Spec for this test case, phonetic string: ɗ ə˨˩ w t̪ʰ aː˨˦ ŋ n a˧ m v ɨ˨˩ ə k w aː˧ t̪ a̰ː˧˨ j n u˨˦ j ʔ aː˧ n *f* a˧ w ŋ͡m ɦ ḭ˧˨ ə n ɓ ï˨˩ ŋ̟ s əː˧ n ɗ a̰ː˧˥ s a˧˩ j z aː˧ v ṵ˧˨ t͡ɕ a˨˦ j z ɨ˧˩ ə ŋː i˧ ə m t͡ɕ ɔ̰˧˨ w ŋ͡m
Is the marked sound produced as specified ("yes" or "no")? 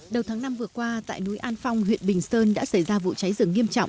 yes